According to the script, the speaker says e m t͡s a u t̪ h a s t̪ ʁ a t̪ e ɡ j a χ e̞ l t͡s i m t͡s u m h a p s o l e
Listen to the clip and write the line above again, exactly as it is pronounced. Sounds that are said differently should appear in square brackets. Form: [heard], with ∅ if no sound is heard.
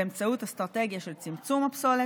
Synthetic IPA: e m t͡s a u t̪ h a s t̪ ʁ a t̪ e ɡ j a [ʃ] e̞ l t͡s i m t͡s u m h a p s o l e